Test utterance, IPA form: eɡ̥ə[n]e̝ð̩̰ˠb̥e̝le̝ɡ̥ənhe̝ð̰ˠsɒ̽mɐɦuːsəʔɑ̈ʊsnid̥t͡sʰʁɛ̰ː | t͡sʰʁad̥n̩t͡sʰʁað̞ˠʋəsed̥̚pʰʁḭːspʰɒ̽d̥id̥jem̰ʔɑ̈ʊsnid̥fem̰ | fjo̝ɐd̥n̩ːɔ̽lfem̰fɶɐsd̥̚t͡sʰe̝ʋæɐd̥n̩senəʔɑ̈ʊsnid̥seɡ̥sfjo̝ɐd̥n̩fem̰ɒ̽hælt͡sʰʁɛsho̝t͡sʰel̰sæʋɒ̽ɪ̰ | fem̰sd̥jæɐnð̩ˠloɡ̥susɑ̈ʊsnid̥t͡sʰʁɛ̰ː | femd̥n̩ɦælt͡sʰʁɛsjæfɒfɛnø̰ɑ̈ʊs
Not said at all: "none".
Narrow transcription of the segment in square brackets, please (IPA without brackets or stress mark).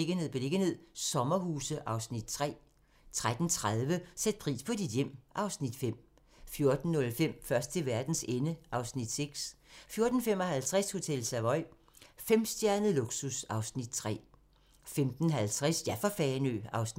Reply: n